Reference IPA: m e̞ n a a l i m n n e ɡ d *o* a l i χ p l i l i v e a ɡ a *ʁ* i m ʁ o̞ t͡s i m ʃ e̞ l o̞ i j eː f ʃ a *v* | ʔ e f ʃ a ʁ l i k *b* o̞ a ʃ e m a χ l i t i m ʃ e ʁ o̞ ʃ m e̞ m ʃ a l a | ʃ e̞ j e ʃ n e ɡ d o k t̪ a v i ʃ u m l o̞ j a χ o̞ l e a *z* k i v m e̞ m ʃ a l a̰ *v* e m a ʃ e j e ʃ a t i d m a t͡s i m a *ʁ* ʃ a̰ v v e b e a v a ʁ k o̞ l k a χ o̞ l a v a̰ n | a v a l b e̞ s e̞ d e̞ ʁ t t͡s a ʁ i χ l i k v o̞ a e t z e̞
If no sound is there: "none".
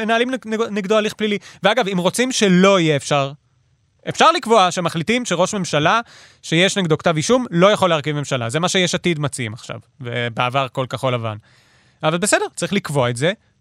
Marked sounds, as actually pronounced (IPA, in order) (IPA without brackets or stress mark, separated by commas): o, v, ʁ, v, ʁ, z, χ